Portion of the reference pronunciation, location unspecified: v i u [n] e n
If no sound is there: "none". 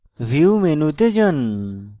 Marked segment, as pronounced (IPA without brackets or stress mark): m